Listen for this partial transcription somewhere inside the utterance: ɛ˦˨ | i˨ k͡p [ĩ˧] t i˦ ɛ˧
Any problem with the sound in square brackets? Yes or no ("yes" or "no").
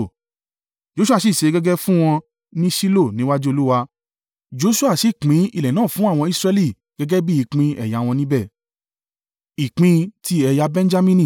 no